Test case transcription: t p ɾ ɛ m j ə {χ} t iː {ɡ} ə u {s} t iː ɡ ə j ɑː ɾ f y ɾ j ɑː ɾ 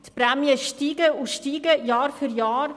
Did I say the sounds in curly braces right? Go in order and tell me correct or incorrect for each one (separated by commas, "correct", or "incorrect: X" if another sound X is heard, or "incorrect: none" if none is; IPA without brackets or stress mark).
incorrect: ʃ, correct, incorrect: ʃ